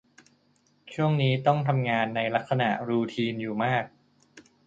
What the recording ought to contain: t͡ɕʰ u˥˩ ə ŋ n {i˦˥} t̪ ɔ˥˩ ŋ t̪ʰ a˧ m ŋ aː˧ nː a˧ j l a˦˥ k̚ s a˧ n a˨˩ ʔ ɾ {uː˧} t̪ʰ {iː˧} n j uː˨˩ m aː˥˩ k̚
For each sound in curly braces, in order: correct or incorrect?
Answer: incorrect: iː˦˥, correct, correct

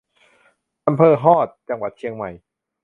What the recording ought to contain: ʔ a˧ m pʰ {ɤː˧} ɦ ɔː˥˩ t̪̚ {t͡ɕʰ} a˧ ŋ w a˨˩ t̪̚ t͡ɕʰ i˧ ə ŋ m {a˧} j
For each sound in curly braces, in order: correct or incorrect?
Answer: correct, incorrect: t͡ɕ, incorrect: a˨˩

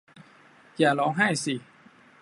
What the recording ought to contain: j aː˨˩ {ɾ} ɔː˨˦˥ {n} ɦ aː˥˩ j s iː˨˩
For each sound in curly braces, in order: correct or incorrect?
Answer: incorrect: l, incorrect: ŋ

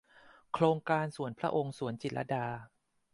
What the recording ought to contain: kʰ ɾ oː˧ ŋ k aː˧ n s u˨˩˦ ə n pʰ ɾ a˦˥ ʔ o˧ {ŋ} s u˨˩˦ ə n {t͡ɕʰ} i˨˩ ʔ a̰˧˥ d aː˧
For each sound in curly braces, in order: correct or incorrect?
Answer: correct, incorrect: t͡ɕ

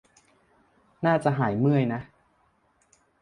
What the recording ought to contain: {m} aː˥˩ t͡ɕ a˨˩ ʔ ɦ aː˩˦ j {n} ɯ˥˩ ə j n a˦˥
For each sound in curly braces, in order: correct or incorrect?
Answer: incorrect: n, incorrect: m

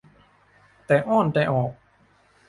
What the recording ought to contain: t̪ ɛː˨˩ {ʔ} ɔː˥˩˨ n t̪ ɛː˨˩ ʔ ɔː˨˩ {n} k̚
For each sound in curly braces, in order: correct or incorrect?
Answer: correct, incorrect: none

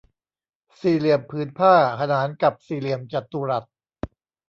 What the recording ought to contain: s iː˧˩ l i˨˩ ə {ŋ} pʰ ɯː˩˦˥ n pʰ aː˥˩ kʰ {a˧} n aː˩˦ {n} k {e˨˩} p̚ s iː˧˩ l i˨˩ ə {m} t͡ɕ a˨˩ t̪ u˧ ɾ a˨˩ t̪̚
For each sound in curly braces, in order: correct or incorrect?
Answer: incorrect: m, correct, correct, incorrect: a˨˩, correct

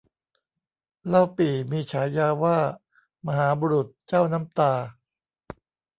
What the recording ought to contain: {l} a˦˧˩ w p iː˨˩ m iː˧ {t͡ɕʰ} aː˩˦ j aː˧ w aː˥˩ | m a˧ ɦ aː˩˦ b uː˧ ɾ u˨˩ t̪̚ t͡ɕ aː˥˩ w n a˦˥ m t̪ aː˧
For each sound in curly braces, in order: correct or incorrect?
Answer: correct, correct

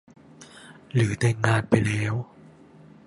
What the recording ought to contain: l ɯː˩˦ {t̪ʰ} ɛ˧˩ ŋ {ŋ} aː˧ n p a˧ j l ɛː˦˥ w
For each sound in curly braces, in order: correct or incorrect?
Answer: incorrect: t̪, correct

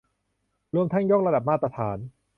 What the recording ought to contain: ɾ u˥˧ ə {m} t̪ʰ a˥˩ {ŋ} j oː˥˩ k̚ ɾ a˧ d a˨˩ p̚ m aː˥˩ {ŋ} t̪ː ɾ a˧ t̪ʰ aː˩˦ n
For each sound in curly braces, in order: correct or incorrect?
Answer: correct, correct, incorrect: none

